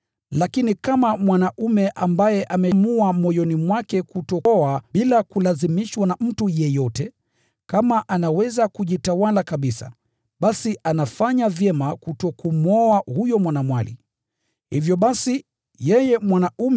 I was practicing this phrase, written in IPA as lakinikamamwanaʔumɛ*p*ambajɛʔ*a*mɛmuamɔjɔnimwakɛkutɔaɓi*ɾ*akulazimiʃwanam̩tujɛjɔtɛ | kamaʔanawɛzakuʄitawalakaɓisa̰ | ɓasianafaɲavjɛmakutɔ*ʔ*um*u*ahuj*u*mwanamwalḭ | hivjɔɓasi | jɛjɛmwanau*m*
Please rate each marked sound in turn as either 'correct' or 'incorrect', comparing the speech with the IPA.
incorrect, correct, incorrect, incorrect, incorrect, incorrect, correct

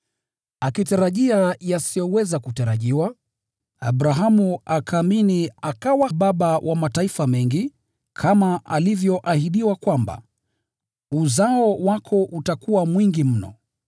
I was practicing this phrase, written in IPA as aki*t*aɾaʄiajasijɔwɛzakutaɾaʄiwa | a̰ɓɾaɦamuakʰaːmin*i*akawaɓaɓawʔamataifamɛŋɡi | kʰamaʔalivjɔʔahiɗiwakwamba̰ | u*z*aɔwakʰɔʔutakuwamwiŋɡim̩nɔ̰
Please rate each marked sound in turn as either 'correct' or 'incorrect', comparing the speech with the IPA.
correct, correct, correct

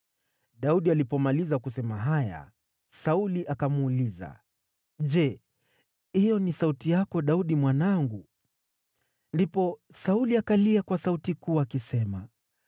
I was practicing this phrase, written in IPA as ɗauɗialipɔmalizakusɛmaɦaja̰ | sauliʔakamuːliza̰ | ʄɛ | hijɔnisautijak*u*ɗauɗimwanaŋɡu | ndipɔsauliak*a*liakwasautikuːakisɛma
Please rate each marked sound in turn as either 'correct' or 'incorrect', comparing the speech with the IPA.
incorrect, correct

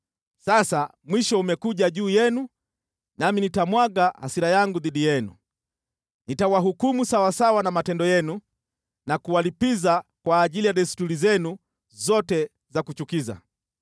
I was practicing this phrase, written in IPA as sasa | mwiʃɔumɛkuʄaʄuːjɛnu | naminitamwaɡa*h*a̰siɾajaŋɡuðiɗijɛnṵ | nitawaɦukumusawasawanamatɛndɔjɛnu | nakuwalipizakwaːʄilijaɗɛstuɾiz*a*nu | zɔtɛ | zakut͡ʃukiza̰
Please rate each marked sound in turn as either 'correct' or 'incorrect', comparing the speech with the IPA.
correct, incorrect

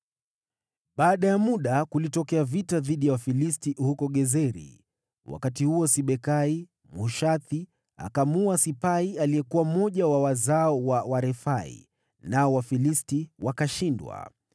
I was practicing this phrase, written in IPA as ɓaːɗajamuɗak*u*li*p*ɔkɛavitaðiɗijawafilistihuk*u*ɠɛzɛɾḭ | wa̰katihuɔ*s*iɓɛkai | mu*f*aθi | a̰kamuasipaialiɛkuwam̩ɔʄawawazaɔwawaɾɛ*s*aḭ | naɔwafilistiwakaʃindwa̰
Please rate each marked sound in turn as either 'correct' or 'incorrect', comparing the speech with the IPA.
correct, incorrect, incorrect, correct, incorrect, incorrect

